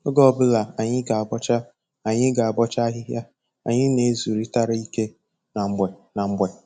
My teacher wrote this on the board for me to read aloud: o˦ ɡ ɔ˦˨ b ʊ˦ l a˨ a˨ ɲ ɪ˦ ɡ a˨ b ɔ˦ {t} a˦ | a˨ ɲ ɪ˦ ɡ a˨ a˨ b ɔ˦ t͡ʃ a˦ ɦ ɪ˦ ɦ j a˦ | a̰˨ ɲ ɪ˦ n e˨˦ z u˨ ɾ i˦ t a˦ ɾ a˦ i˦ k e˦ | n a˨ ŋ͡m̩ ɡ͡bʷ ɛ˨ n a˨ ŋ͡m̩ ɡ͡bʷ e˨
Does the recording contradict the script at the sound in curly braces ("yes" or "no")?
yes